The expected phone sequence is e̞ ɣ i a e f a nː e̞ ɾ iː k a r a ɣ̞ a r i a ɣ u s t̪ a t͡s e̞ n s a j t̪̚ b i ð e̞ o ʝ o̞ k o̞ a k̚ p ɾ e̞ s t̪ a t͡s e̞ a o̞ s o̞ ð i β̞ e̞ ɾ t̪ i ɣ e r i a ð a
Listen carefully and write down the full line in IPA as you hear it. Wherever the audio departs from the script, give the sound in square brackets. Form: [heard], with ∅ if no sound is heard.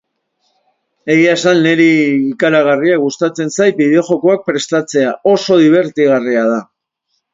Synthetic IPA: e̞ ɣ i a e [s] a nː e̞ ɾ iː k a [ɾ] a ɣ̞ a r i a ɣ u s t̪ a t͡s e̞ n s a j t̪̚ b i ð e̞ o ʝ o̞ k o̞ a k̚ p ɾ e̞ s t̪ a t͡s e̞ a o̞ s o̞ ð i β̞ e̞ ɾ t̪ i ɣ [a] r i a ð a